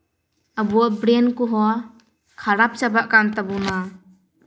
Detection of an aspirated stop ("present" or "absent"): present